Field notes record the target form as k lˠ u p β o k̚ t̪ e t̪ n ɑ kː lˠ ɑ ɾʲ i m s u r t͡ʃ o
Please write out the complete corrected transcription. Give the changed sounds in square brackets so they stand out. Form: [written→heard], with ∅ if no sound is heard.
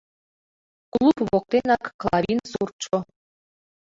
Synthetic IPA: k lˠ u p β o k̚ t̪ e [t̪→∅] n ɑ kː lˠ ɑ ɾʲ i [m→n] s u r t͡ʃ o

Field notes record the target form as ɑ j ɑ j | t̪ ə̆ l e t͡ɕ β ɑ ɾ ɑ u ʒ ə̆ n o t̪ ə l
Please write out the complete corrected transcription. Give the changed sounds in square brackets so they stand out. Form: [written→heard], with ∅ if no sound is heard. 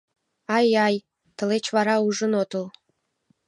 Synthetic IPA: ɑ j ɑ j | t̪ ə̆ l e t͡ɕ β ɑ ɾ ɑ u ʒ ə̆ n o t̪ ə l

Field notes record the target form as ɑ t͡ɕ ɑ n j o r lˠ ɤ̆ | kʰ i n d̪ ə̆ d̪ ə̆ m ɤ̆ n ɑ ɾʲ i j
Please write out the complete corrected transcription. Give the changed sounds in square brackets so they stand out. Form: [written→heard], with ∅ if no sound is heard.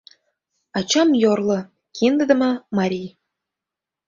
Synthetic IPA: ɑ t͡ɕ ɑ [n→m] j o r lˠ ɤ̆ | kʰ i n d̪ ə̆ d̪ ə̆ m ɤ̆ [n→m] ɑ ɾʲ i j

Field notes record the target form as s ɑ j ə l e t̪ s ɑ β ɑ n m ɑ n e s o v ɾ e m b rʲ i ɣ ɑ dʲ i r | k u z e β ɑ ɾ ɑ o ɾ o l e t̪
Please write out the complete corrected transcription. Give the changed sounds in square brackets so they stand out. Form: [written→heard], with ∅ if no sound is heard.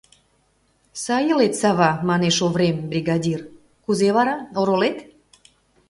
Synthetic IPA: s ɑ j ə l e t̪ s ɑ β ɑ [n→∅] m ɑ n e [s→ʃ] o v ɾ e m b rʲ i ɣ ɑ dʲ i r | k u z e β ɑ ɾ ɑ o ɾ o l e t̪

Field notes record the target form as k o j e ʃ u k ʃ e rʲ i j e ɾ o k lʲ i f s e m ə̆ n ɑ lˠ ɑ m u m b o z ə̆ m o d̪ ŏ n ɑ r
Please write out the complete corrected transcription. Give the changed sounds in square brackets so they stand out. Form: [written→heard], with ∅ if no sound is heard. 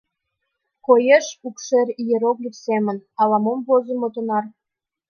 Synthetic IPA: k o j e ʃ u k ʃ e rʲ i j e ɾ o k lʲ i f s e m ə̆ n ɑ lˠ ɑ m [u→o] m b o z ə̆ m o [d̪→t̪] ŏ n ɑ r

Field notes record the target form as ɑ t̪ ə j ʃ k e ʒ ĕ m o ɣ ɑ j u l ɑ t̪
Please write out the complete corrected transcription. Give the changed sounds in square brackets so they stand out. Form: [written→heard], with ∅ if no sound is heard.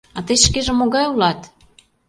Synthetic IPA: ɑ t̪ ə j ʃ k e ʒ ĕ m o ɣ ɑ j u l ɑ t̪

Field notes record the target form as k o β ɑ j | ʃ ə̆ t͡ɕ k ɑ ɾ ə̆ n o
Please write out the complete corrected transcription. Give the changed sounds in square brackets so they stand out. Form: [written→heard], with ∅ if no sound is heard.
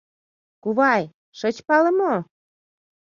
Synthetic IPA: k [o→u] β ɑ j | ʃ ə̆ t͡ɕ [k→p] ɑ [ɾ→l] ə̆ [n→m] o

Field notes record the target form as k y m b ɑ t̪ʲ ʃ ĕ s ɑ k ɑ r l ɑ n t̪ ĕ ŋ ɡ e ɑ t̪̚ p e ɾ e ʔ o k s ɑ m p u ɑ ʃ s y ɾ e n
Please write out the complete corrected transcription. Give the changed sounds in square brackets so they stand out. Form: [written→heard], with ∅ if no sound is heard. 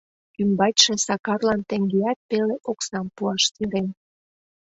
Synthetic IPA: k y m b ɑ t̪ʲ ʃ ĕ s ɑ k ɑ r l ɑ n t̪ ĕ ŋ ɡ e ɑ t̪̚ p e [ɾ→l] e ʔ o k s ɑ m p u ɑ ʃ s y ɾ e n

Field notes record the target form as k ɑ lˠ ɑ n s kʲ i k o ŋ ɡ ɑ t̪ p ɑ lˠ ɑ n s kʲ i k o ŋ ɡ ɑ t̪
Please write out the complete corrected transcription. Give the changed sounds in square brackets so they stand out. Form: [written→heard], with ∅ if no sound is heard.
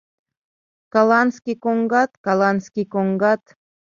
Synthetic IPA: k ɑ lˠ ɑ n s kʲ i k o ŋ ɡ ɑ t̪ [p→k] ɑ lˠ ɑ n s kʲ i k o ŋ ɡ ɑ t̪

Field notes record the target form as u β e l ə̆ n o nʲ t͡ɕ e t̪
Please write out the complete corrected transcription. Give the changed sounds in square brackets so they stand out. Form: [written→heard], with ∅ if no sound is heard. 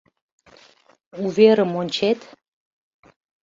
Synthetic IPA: u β e [l→ɾ] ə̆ [n→m] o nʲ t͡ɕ e t̪

